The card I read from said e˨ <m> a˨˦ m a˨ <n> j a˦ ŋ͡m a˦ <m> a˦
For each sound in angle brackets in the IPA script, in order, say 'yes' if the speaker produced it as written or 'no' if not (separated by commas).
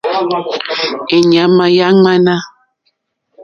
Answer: no, no, no